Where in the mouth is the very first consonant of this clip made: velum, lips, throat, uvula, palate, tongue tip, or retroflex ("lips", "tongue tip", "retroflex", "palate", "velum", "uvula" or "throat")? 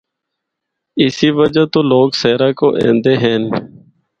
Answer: tongue tip